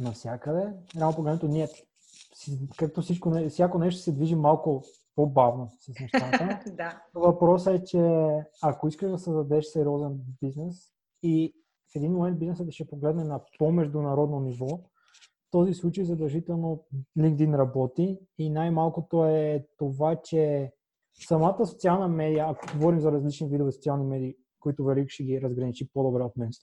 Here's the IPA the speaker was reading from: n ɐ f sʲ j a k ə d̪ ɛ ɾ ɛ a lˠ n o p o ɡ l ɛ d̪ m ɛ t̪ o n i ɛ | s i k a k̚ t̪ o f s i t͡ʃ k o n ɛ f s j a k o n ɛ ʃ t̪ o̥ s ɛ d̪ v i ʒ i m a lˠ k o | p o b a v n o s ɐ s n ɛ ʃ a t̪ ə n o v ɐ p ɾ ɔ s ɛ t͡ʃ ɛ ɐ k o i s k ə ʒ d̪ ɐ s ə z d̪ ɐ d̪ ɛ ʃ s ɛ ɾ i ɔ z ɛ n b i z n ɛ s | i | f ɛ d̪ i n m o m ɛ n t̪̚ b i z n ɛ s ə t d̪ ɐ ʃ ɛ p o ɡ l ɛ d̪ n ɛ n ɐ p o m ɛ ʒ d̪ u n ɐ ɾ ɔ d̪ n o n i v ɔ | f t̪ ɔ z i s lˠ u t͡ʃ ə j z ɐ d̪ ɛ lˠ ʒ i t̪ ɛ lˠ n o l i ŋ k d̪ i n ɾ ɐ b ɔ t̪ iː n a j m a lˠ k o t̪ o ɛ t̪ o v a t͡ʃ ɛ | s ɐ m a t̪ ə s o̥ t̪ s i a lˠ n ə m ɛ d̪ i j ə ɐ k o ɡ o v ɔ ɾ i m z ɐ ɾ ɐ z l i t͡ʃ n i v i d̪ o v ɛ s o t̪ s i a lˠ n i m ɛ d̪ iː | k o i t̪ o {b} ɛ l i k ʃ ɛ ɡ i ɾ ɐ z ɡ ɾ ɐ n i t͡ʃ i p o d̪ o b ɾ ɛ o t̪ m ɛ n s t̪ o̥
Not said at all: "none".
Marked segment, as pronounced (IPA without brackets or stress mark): v